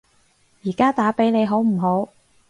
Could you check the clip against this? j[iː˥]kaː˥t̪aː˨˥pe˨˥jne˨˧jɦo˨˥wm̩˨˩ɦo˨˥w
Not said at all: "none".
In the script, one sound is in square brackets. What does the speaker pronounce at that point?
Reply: iː˨˩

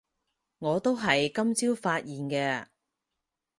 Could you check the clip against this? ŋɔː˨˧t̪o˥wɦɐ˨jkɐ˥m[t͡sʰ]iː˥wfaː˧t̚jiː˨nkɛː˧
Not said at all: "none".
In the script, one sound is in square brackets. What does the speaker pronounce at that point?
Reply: t͡s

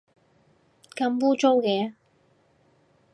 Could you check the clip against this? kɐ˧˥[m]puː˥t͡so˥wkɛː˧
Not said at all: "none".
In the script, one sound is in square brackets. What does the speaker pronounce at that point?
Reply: m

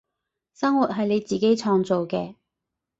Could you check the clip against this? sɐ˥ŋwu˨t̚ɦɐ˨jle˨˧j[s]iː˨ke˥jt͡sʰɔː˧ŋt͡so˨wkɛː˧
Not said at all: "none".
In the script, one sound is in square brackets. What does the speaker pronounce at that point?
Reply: t͡s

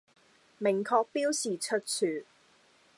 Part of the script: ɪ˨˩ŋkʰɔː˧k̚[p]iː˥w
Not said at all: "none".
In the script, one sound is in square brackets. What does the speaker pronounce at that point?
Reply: p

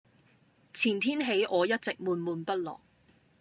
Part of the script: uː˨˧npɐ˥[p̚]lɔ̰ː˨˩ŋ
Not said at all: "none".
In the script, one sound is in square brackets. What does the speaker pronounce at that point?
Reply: t̚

